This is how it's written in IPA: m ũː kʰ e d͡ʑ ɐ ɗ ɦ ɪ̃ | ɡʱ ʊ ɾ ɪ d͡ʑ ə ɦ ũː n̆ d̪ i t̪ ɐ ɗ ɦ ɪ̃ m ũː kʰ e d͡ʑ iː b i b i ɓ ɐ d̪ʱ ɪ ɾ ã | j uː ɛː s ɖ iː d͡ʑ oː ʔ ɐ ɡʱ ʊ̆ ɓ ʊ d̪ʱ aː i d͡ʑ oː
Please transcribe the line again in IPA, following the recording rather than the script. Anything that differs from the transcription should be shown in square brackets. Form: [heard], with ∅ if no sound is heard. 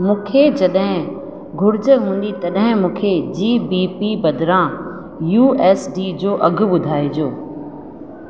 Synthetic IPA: m ũː kʰ e d͡ʑ ɐ ɗ ɦ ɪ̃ | ɡʱ ʊ ɾ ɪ d͡ʑ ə ɦ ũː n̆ d̪ i t̪ ɐ ɗ ɦ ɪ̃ m ũː kʰ e d͡ʑ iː b i [p] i [b] ɐ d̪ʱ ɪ ɾ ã | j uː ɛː s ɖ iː d͡ʑ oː ʔ ɐ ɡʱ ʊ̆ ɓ ʊ d̪ʱ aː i d͡ʑ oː